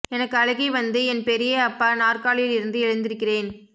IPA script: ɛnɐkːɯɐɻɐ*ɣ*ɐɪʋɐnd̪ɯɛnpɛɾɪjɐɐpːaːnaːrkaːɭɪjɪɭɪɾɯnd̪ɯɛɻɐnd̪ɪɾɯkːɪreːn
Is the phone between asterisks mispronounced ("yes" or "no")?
no